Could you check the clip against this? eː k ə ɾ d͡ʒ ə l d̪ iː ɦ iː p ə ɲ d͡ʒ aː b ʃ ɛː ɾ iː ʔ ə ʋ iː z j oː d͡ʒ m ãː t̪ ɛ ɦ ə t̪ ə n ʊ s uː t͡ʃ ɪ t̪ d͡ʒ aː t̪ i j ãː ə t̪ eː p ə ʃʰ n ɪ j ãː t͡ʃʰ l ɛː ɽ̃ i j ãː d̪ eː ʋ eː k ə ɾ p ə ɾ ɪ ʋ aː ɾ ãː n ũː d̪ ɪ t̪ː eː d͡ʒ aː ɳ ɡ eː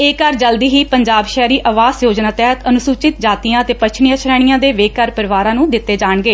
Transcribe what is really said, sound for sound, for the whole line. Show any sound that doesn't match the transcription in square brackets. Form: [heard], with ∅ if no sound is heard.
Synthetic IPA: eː k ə ɾ d͡ʒ ə l d̪ iː ɦ iː p ə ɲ d͡ʒ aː b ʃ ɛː ɾ iː ʔ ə ʋ [aː] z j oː d͡ʒ [n] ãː t̪ ɛ ɦ ə t̪ ə n ʊ s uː t͡ʃ ɪ t̪ d͡ʒ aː t̪ i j ãː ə t̪ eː p ə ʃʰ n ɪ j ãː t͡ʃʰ [ɾ] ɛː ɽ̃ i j ãː d̪ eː ʋ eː k ə ɾ p ə ɾ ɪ ʋ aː ɾ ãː n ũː d̪ ɪ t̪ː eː d͡ʒ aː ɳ ɡ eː